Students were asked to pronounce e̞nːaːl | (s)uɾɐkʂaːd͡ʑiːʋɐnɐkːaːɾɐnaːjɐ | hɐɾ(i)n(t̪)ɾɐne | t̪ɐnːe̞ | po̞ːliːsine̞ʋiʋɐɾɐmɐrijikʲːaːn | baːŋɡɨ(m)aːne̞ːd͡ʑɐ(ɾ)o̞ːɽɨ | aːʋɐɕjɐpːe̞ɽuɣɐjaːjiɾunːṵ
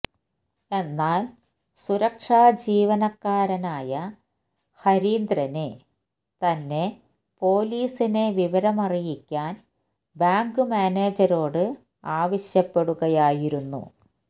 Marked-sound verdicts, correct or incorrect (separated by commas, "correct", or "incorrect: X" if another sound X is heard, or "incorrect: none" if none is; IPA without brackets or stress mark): correct, incorrect: iː, incorrect: d̪, correct, correct